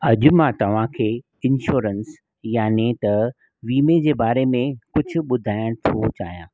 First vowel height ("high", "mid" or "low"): low